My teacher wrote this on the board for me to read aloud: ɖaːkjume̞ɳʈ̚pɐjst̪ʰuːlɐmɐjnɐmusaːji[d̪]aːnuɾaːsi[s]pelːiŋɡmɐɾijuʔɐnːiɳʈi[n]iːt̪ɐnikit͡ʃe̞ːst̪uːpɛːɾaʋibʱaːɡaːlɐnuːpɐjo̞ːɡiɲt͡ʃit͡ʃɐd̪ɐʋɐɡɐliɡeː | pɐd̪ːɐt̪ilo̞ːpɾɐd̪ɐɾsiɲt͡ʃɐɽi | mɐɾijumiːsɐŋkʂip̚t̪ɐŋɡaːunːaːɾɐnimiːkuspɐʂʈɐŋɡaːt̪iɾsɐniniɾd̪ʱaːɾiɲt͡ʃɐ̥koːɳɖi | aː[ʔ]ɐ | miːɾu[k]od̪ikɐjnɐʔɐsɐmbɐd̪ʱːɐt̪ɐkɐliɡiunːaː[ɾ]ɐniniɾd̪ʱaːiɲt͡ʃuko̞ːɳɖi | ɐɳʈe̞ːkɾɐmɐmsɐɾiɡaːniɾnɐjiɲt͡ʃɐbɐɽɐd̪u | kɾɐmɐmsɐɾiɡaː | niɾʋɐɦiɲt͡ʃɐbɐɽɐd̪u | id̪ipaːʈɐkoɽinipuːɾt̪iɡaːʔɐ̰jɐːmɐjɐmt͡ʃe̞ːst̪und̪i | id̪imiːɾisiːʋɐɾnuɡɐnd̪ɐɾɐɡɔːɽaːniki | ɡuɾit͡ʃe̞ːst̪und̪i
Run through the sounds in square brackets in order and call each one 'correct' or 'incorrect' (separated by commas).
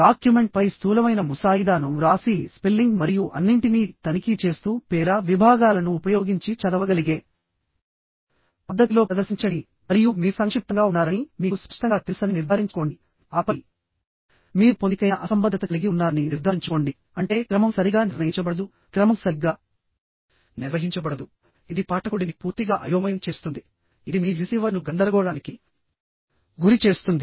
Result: correct, correct, correct, incorrect, incorrect, correct